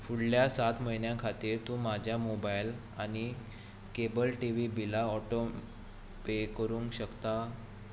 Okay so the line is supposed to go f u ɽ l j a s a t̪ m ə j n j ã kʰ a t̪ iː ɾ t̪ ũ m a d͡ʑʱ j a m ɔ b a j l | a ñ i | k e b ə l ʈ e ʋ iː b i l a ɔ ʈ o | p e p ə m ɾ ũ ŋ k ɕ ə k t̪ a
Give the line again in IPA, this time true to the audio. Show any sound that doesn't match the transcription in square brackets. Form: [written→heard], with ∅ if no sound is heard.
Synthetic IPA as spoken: f u ɽ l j a s a t̪ m ə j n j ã kʰ a t̪ iː ɾ t̪ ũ m a d͡ʑʱ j a m [ɔ→o] b a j l | a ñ i | k e b ə l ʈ [e→i] ʋ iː b i l a ɔ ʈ o | p e [p→k] ə [m→∅] ɾ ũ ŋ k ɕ ə k t̪ a